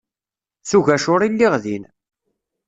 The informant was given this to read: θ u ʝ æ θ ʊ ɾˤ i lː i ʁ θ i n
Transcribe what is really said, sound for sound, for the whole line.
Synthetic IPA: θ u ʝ æ ʃ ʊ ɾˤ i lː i ʁ ð i n